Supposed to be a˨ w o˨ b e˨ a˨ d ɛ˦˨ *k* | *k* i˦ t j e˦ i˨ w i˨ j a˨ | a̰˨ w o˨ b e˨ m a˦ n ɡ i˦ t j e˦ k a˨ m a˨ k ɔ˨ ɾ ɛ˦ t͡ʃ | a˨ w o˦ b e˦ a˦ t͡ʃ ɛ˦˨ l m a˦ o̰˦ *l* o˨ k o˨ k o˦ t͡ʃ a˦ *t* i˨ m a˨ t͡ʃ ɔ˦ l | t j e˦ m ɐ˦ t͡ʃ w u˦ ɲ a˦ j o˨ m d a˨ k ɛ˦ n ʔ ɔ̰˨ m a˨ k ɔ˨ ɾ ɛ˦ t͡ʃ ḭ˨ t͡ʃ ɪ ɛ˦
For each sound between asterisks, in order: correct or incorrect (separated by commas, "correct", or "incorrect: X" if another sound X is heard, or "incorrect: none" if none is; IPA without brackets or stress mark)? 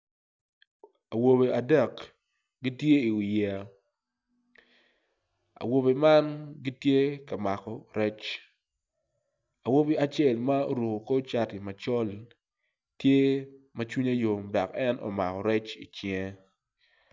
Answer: correct, incorrect: ɡ, incorrect: ɾ, correct